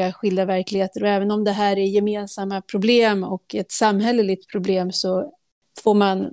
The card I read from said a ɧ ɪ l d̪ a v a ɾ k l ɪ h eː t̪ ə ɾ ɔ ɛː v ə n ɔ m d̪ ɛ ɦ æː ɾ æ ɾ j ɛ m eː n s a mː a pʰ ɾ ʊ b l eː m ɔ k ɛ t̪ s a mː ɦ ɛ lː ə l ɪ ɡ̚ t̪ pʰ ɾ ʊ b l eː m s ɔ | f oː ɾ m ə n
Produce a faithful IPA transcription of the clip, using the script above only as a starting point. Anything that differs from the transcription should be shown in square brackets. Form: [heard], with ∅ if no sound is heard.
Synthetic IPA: a ɧ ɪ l d̪ a v [æ] ɾ k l ɪ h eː t̪ ə ɾ ɔ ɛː v ə n ɔ m d̪ ɛ ɦ æː ɾ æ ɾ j ɛ m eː n s a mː a pʰ ɾ ʊ b l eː m ɔ k ɛ t̪ s a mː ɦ ɛ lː ə l ɪ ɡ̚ t̪ pʰ ɾ ʊ b l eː m s ɔ | f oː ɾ m [a] n